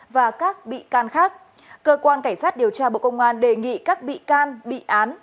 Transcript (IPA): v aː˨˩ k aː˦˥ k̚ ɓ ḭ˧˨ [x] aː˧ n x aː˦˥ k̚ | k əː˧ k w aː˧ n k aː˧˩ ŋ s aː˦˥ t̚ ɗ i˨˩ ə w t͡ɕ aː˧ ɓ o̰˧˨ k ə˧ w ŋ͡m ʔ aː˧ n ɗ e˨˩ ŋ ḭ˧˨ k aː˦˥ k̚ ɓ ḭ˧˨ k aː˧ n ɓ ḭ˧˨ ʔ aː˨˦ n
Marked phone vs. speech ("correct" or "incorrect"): incorrect